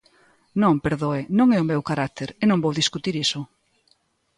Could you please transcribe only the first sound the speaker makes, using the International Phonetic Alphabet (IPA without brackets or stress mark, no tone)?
n